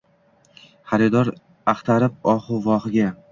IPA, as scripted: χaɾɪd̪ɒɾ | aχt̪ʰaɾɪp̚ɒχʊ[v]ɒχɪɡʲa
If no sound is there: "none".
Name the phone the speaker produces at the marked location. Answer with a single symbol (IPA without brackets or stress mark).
v